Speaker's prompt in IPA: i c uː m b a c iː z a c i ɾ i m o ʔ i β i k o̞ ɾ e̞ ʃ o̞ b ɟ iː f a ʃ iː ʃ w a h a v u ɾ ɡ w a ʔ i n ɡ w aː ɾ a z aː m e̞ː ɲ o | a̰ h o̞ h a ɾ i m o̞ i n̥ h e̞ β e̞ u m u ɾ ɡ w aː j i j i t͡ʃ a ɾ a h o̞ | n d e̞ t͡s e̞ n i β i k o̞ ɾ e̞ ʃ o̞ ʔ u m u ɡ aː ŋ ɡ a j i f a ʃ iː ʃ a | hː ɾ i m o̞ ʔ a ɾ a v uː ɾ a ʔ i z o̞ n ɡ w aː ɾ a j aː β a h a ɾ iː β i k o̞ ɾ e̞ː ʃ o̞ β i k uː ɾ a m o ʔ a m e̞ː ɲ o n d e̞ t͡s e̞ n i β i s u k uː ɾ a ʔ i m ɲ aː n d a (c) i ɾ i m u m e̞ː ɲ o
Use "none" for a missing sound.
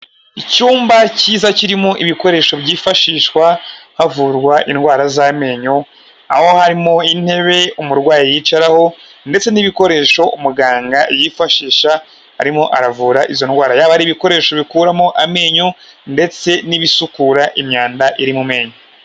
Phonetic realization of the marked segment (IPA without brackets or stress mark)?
ʔ